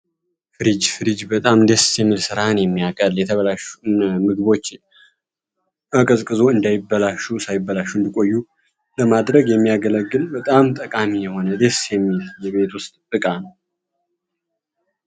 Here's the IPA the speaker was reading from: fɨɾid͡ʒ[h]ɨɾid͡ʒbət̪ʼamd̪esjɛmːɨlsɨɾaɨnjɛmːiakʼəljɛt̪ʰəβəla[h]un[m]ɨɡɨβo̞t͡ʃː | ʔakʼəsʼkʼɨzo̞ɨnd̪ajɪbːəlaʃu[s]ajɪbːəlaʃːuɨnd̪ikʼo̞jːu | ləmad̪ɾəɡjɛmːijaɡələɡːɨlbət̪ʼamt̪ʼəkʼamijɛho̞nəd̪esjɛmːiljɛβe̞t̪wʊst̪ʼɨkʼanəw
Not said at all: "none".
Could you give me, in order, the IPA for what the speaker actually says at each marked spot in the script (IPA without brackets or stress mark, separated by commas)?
f, ʃ, m, s